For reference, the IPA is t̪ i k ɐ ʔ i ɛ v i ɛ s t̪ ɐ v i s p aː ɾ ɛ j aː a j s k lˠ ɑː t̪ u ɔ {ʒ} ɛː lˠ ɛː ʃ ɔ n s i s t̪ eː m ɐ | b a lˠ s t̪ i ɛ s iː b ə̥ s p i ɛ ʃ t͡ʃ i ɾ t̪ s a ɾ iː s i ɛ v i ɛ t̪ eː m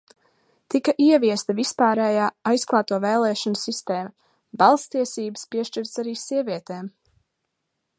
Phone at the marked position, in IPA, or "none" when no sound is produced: v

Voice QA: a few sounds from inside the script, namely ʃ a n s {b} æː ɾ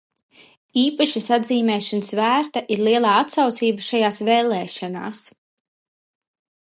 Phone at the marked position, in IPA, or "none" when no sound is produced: v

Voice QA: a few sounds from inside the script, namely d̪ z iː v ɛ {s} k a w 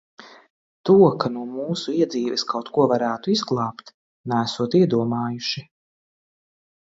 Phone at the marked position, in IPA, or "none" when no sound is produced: s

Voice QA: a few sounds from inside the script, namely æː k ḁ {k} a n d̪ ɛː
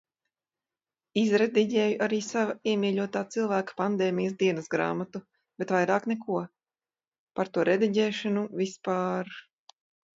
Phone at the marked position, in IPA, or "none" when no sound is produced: p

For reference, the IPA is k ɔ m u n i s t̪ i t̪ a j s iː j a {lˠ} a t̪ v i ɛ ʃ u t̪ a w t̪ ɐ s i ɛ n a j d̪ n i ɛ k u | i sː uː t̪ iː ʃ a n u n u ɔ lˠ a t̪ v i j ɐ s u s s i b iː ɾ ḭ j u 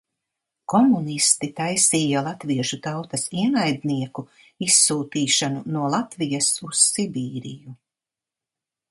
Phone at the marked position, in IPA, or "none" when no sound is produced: lˠ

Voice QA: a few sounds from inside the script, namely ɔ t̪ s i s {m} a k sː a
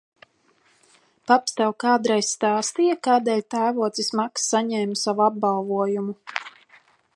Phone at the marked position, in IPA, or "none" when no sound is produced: m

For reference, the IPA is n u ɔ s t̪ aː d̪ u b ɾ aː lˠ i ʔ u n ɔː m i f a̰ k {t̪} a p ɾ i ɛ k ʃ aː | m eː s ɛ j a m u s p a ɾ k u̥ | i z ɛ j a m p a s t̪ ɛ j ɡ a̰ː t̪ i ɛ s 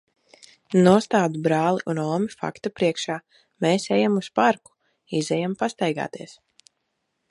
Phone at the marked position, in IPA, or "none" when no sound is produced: t̪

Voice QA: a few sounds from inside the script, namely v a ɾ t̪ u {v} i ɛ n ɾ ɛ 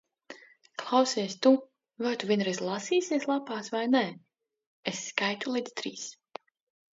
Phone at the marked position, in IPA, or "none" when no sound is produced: v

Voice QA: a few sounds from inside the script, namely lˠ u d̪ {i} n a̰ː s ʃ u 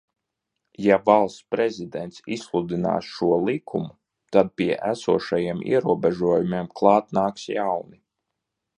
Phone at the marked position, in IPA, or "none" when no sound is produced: i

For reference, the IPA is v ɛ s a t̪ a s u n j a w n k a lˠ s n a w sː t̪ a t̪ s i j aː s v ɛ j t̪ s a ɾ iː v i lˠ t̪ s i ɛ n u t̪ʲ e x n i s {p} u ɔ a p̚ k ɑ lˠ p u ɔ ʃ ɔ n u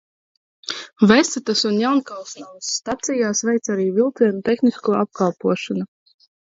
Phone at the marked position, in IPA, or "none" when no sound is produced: k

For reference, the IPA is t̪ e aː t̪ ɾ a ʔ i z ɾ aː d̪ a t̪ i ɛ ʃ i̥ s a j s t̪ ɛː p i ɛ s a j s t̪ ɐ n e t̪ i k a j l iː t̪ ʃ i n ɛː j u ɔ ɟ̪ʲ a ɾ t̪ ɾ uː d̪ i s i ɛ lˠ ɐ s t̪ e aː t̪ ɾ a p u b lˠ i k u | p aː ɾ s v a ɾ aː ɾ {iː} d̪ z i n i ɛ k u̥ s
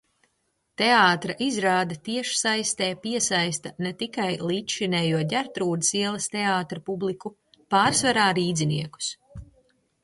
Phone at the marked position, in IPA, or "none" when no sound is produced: iː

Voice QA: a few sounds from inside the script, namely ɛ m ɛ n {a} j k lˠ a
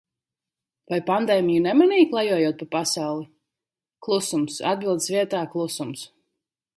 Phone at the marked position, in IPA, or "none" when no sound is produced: i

